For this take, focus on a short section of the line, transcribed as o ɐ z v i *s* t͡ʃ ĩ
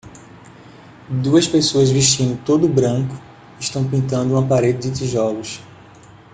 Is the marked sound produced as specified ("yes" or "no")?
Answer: no